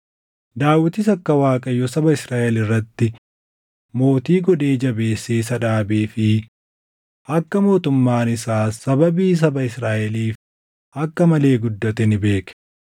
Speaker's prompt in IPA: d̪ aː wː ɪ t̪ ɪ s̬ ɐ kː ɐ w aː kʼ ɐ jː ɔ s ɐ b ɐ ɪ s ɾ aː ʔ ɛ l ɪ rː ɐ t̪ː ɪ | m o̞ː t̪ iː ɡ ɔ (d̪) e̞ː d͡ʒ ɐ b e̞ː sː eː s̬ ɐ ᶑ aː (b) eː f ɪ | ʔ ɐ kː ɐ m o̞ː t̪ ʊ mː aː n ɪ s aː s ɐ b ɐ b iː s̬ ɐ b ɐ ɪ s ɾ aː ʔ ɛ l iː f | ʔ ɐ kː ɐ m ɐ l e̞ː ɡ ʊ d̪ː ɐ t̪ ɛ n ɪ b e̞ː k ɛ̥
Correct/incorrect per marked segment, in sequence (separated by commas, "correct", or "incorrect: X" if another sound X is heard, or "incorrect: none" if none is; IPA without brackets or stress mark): correct, correct